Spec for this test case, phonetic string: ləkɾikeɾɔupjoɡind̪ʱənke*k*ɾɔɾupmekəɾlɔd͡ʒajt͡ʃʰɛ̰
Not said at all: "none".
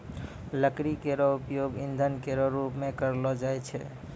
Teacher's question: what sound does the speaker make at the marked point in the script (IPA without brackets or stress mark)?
none